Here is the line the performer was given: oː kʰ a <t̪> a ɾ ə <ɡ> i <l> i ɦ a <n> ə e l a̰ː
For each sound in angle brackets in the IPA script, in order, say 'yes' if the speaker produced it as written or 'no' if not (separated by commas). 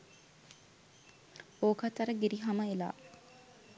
yes, yes, no, no